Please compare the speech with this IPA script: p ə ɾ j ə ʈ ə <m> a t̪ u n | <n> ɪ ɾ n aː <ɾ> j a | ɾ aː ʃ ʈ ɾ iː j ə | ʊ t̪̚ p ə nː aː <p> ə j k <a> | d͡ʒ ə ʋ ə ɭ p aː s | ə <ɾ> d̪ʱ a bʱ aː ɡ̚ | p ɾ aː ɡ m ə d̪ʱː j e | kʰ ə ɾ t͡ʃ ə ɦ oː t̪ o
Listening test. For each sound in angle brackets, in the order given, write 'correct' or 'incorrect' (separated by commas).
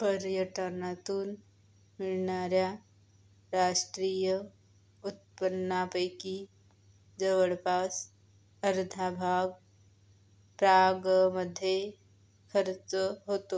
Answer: incorrect, incorrect, correct, correct, incorrect, correct